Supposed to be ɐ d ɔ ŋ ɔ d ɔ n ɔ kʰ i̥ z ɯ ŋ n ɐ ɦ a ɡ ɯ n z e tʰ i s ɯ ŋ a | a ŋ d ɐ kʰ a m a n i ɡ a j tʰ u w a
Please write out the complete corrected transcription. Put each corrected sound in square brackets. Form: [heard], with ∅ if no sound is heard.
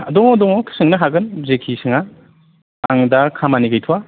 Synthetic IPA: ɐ d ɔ ŋ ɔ d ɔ [ŋ] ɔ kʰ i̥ [s] ɯ ŋ n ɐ ɦ a ɡ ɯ n z e [kʰ] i s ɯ ŋ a | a ŋ d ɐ kʰ a m a n i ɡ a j tʰ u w a